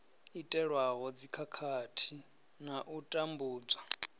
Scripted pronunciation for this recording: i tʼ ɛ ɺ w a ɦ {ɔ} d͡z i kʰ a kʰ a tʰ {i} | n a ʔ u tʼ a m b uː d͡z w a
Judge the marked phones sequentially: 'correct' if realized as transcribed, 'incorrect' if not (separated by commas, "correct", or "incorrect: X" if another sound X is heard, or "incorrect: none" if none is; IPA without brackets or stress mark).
correct, correct